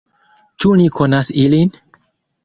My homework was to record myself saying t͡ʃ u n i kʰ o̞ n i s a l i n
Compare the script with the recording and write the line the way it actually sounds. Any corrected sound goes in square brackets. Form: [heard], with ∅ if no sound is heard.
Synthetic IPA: t͡ʃ u n i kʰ o̞ n [a] s [i] l i n